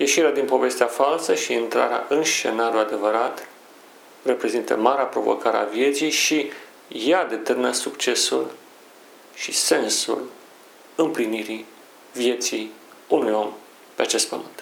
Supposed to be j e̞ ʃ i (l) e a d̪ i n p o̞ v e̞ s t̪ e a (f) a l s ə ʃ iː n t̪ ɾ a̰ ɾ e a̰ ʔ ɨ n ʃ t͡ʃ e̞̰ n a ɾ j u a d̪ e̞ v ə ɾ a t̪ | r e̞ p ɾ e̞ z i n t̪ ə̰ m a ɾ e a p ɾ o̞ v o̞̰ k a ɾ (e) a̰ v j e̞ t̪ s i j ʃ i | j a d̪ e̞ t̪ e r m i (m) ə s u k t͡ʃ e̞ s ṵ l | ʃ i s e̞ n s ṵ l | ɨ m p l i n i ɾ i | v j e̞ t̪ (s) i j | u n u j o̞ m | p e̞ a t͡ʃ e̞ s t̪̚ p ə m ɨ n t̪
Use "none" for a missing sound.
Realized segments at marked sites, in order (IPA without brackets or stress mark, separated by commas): ɾ, f, e, n, s